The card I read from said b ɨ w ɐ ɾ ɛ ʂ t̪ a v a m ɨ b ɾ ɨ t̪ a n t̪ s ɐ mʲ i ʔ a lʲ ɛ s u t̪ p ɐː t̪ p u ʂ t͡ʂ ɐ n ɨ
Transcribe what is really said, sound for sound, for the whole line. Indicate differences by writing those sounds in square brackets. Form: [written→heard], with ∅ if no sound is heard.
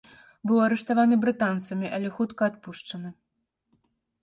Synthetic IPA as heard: b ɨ w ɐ ɾ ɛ ʂ t̪ a v a [m→n] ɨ b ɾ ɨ t̪ a n t̪ s ɐ mʲ i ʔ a lʲ ɛ [s→x] u t̪ [p→k] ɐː t̪ p u ʂ t͡ʂ ɐ n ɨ